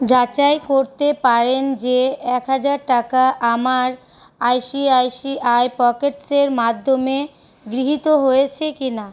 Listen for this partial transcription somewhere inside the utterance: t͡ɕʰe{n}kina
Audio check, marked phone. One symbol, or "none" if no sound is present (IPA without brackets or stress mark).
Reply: none